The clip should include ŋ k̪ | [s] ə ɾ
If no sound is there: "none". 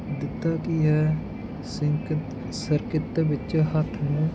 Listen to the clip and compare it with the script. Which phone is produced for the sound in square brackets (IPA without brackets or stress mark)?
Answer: s